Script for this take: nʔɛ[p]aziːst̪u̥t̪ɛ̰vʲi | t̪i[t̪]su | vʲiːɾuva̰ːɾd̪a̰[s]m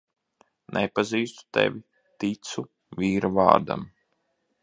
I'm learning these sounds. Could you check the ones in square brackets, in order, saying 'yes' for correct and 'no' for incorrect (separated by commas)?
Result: yes, yes, no